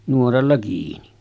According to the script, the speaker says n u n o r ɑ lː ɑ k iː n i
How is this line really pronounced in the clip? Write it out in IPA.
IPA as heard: n u o r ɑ lː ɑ k iː n i